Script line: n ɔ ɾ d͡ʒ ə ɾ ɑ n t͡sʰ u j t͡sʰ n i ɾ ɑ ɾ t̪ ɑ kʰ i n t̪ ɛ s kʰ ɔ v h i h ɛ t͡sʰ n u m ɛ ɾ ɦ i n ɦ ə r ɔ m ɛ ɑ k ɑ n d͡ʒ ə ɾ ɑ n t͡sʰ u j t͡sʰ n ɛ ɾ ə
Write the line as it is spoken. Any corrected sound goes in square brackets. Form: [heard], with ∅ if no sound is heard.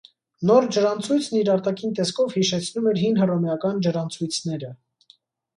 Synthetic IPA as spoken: n ɔ ɾ d͡ʒ ə ɾ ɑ n t͡sʰ u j t͡sʰ n i ɾ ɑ ɾ t̪ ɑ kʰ i n t̪ ɛ s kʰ ɔ v h i [ʃ] ɛ t͡sʰ n u m ɛ ɾ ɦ i n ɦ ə r ɔ m ɛ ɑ k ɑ n d͡ʒ ə ɾ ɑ n t͡sʰ u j t͡sʰ n ɛ ɾ ə